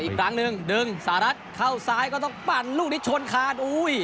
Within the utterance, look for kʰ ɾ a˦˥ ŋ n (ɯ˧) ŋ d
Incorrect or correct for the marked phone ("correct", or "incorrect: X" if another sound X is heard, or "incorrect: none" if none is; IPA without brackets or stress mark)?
correct